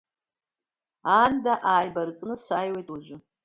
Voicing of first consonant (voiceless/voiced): voiced